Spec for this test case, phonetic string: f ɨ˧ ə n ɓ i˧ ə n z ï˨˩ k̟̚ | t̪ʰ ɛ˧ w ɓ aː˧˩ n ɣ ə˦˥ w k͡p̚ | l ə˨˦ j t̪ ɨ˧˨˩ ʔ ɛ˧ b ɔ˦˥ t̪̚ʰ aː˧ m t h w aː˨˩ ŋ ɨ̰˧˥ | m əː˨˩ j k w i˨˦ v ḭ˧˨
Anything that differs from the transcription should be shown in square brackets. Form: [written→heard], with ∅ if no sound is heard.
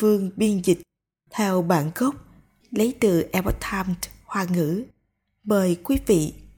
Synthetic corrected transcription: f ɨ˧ ə [n→ŋ] ɓ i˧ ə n z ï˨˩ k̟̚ | t̪ʰ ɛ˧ w ɓ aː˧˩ n ɣ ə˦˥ w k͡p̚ | l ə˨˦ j t̪ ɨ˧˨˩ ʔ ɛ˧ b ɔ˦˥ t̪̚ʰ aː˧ m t h w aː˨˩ ŋ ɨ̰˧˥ | m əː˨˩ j k w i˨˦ v ḭ˧˨